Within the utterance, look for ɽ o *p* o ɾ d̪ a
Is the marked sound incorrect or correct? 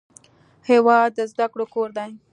incorrect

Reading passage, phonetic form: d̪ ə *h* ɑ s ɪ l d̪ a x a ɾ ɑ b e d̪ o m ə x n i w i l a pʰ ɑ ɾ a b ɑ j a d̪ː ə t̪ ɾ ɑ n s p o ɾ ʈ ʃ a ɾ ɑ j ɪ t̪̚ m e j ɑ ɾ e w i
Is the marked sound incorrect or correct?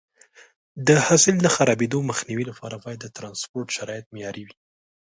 correct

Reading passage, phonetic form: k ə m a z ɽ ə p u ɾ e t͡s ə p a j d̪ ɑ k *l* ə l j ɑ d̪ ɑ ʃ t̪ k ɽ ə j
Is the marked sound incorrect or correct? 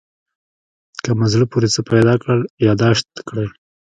incorrect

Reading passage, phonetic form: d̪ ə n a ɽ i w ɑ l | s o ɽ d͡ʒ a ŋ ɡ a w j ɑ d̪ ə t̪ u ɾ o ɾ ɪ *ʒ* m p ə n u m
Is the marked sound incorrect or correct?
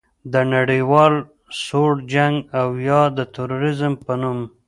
incorrect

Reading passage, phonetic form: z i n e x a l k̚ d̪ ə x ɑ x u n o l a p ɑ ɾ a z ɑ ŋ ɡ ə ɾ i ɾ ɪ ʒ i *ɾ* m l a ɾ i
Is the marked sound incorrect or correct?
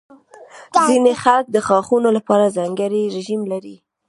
incorrect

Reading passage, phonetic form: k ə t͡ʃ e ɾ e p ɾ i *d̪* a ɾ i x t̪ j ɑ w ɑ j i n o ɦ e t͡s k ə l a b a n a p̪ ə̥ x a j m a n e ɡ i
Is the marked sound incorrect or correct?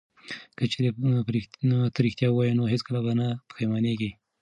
incorrect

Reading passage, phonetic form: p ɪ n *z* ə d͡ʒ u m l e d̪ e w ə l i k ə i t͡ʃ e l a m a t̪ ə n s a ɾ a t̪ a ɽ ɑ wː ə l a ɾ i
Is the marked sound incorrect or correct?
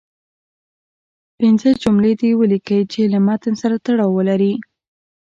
correct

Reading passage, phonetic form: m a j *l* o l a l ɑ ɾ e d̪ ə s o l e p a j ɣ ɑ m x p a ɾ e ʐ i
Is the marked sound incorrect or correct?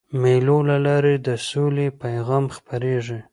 correct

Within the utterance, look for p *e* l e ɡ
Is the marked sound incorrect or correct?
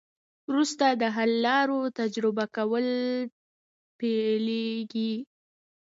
correct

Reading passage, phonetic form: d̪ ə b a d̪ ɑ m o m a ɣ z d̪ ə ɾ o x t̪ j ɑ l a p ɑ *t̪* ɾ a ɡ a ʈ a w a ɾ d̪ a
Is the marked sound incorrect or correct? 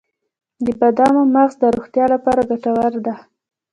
incorrect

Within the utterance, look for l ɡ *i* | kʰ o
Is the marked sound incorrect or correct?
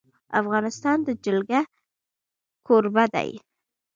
incorrect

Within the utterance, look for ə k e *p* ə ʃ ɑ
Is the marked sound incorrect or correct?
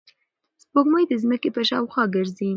correct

